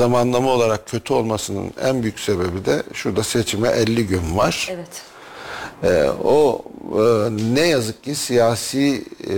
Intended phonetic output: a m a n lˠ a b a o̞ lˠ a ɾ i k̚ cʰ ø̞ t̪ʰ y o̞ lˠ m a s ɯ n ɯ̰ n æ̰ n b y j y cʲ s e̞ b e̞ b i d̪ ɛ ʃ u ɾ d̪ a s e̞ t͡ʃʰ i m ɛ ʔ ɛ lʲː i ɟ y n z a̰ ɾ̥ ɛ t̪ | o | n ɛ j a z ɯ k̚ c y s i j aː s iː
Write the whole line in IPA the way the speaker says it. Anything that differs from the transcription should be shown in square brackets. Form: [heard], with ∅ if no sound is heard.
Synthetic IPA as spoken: a m a n lˠ a [m] a o̞ lˠ a ɾ [a] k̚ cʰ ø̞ t̪ʰ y o̞ lˠ m a s ɯ n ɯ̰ n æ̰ n b y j y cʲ s e̞ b e̞ b i d̪ ɛ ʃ u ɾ d̪ a s e̞ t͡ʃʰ i m ɛ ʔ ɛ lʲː i ɟ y n [v] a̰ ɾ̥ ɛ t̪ | o | n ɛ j a z ɯ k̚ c [i] s i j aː s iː